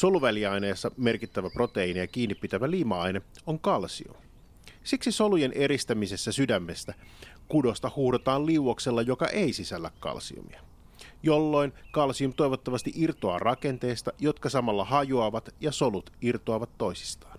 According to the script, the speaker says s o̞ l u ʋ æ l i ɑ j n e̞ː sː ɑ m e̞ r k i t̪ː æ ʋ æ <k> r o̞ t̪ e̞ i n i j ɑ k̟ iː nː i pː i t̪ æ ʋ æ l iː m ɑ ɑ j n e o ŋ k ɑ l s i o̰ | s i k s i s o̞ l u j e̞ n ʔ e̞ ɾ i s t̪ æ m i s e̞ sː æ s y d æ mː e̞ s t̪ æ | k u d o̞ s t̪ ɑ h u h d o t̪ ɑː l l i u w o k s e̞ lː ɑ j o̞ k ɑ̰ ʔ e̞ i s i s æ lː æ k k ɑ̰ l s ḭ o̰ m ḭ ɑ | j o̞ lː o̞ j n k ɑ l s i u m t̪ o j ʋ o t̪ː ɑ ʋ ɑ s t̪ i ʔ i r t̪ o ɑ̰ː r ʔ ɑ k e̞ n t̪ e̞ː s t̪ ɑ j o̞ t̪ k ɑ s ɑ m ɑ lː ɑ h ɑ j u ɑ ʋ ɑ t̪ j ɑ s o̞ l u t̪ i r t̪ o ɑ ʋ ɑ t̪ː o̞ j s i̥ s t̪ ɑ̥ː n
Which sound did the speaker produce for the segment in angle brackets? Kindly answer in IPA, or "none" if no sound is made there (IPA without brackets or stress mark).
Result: p